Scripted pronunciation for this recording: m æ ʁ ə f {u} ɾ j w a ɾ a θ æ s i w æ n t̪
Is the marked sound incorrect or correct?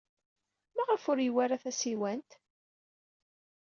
incorrect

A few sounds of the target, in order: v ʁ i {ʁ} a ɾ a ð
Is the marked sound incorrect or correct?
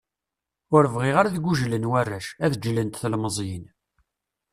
correct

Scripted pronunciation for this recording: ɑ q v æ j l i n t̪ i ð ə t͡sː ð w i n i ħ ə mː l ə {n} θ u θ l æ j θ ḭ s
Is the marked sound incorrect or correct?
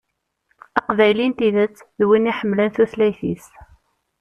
correct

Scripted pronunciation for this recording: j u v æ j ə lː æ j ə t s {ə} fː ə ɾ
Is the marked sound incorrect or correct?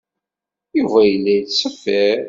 correct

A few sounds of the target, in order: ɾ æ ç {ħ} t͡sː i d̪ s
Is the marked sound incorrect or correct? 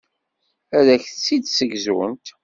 incorrect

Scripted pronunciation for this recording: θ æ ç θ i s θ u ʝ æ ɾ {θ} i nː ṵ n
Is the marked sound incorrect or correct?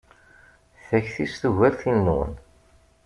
correct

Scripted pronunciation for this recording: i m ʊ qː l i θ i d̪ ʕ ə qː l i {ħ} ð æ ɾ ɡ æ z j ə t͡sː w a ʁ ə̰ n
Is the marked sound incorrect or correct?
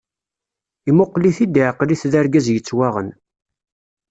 incorrect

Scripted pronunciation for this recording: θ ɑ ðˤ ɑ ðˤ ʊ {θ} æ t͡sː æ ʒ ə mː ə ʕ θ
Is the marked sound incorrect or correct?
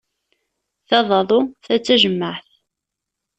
correct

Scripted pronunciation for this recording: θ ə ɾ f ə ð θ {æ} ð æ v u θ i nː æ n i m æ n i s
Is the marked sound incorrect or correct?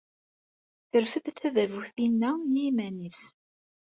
correct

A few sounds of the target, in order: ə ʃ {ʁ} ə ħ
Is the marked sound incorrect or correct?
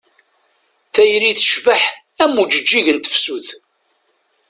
incorrect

